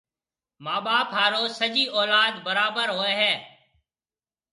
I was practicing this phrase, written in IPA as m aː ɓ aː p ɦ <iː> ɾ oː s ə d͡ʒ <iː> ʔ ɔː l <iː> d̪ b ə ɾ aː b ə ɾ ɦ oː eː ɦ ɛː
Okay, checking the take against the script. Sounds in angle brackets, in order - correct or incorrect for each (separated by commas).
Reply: incorrect, correct, incorrect